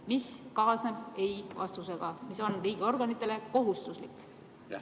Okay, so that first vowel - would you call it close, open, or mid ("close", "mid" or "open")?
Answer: close